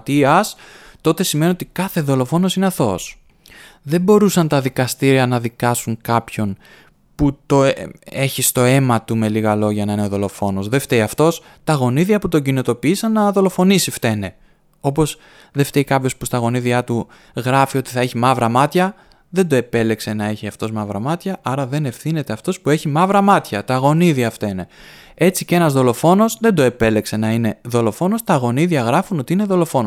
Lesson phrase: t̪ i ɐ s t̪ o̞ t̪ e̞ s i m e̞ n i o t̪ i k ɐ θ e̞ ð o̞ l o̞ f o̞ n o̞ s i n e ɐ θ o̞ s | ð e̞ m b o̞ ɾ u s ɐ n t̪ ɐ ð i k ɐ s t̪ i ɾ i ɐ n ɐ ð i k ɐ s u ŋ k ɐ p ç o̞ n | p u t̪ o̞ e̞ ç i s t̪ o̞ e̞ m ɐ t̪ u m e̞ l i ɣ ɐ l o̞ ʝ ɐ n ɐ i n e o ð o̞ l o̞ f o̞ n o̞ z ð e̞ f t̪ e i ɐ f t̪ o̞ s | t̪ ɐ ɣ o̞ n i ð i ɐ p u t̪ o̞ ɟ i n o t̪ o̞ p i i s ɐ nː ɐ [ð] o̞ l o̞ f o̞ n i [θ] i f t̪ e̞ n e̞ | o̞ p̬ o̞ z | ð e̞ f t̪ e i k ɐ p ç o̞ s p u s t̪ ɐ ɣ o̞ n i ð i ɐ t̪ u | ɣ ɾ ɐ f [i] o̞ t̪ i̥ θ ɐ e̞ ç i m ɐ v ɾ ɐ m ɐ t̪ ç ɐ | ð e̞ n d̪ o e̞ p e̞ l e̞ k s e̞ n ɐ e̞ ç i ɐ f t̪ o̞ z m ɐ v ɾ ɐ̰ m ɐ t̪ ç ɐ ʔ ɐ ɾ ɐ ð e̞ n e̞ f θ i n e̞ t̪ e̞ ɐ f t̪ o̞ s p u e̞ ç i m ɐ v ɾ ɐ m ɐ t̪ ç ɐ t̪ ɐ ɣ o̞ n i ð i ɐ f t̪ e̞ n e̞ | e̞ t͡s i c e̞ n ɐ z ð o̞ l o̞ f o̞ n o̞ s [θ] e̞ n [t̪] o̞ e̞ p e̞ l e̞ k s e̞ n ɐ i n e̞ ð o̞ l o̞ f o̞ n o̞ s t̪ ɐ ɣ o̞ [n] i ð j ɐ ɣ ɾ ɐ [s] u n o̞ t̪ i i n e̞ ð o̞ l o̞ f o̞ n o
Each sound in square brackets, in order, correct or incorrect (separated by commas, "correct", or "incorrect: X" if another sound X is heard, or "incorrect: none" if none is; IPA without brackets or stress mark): correct, incorrect: s, correct, incorrect: ð, incorrect: d̪, correct, incorrect: f